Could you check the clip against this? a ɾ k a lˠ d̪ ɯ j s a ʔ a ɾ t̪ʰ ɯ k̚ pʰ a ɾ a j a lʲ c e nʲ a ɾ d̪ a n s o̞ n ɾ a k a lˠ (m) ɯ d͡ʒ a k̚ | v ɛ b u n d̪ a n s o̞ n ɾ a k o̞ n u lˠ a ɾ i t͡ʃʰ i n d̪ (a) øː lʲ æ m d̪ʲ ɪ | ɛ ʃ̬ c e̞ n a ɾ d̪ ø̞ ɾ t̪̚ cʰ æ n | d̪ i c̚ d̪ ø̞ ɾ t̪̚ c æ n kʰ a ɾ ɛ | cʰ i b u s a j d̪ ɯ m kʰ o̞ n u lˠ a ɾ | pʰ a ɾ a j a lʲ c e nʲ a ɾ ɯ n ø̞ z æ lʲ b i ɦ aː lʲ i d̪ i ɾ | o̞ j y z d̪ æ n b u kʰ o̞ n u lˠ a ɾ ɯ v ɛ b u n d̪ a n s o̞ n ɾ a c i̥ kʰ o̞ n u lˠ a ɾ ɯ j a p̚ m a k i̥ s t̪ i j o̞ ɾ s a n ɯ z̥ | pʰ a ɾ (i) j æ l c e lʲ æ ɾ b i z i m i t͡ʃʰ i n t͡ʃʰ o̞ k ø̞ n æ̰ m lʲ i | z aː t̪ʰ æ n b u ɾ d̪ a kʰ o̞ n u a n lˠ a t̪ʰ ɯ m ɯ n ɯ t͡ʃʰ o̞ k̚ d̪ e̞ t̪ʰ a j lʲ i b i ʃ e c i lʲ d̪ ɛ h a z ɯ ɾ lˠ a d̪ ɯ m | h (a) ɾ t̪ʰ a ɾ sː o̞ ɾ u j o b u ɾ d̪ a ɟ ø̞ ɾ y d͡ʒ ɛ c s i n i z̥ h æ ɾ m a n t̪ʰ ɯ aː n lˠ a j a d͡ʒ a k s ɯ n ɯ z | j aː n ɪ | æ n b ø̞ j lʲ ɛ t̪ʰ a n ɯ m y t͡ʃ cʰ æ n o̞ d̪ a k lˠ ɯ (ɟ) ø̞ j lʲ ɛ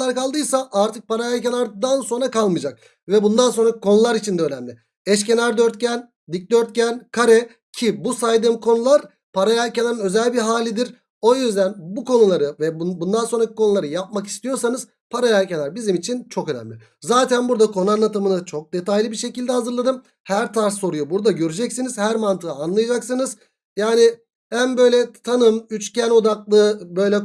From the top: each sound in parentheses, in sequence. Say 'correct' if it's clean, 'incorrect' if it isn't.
correct, incorrect, incorrect, incorrect, incorrect

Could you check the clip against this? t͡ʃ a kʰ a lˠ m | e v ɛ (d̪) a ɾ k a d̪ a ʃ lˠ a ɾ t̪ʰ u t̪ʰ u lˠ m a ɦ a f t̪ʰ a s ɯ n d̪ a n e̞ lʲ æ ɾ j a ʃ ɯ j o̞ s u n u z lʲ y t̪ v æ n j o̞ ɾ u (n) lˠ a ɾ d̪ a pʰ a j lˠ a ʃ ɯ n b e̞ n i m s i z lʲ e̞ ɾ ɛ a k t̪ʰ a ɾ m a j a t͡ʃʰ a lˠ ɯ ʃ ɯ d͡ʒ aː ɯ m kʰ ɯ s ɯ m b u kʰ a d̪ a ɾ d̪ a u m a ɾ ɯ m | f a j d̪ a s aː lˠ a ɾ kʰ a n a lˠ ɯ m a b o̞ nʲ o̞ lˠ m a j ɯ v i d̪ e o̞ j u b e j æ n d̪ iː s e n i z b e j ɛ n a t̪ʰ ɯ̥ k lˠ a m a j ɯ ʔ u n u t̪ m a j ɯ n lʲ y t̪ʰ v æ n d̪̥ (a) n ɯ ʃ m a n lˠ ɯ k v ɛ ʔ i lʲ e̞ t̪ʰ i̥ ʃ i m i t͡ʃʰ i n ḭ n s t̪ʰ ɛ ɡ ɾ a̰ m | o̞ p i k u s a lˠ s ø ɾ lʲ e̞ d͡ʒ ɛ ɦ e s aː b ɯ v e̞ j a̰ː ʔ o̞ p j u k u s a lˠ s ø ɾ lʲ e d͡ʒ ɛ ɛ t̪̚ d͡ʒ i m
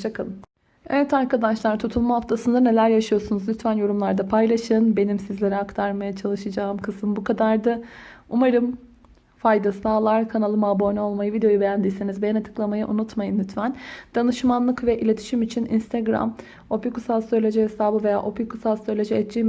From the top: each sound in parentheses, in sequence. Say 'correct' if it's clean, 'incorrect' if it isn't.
incorrect, incorrect, correct

